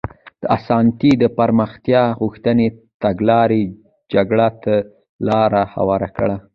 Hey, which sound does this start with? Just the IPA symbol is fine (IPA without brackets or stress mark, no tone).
d̪̥